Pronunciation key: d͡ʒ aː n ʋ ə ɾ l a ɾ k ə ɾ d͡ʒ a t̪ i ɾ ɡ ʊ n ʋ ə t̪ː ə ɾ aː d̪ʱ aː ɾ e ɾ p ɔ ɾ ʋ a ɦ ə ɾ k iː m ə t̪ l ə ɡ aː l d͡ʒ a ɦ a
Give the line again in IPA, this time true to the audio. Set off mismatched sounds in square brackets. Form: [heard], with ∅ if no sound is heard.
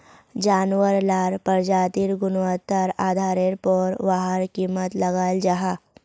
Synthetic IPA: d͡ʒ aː n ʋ ə ɾ l a ɾ [p] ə ɾ d͡ʒ a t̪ i ɾ ɡ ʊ n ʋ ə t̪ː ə ɾ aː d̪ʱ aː ɾ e ɾ p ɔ ɾ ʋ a ɦ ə ɾ k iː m ə t̪ l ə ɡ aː l d͡ʒ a ɦ a